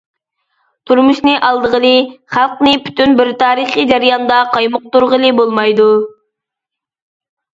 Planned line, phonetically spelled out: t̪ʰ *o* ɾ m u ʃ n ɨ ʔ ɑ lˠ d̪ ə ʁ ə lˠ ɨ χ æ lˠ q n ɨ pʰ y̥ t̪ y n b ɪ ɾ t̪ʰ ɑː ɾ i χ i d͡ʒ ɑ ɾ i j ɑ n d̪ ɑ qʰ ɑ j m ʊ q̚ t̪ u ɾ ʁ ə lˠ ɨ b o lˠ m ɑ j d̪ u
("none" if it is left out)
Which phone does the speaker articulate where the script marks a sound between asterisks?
u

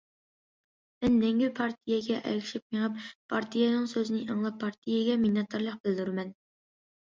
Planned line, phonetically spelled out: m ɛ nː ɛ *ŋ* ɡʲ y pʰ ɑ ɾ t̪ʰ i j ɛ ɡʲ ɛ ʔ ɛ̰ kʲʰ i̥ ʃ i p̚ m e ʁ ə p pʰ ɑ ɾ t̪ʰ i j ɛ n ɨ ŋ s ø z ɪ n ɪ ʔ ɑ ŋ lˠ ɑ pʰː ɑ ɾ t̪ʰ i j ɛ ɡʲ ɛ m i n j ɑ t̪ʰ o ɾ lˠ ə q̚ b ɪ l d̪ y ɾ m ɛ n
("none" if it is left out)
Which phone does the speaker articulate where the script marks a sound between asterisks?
ŋ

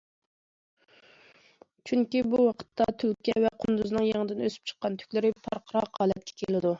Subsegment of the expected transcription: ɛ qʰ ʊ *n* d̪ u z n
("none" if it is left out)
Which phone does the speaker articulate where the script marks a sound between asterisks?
n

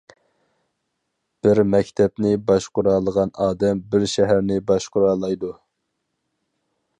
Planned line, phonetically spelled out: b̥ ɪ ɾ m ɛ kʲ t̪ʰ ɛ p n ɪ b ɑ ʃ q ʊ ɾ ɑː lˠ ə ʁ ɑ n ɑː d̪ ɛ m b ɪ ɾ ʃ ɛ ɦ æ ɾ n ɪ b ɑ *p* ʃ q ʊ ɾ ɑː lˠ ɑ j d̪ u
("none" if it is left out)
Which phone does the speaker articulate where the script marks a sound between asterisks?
none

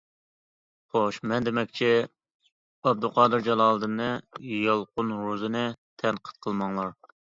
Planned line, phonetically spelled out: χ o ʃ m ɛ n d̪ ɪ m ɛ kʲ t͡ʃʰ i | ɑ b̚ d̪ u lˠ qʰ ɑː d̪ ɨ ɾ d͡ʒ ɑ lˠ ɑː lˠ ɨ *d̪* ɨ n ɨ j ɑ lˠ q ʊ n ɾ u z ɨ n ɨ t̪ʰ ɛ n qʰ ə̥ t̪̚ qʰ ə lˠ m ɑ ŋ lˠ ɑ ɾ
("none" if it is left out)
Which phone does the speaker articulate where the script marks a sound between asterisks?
d̪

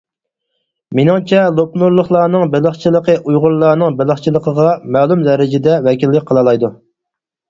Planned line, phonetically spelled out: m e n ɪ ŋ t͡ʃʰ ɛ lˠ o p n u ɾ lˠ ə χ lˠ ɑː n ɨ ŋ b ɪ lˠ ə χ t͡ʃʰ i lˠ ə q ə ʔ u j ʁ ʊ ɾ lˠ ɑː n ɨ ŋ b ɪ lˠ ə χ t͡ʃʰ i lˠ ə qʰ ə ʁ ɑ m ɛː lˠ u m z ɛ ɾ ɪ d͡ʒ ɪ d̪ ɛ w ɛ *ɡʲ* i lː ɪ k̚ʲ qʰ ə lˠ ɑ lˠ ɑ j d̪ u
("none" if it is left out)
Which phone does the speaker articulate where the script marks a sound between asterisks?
kʲ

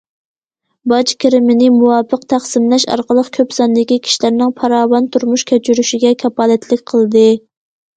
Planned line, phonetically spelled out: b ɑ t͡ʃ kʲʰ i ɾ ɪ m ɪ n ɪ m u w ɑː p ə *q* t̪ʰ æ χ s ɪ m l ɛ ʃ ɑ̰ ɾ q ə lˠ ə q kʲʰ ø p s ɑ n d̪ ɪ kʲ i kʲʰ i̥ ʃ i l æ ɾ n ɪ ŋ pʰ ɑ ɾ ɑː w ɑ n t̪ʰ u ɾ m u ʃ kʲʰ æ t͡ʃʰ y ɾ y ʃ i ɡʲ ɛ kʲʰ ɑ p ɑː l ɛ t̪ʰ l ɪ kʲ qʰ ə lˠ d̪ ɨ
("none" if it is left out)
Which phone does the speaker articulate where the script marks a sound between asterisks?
q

